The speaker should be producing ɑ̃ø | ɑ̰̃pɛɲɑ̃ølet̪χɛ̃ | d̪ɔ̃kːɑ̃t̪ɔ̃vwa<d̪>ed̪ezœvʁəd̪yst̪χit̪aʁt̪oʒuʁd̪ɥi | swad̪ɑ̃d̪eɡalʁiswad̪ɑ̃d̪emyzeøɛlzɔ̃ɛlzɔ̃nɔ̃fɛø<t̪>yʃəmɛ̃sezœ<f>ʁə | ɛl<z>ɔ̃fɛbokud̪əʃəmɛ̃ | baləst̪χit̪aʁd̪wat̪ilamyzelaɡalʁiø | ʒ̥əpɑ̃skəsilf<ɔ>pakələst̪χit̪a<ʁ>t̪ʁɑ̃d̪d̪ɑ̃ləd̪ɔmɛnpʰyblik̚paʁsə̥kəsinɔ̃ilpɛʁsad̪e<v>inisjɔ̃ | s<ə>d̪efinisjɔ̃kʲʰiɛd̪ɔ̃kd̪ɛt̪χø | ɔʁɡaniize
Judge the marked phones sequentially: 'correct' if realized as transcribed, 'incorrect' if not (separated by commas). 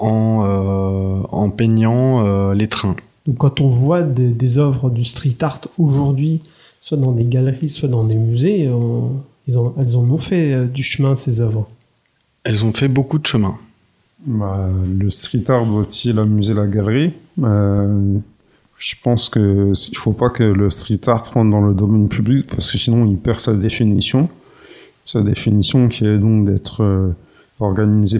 correct, incorrect, incorrect, correct, incorrect, correct, incorrect, incorrect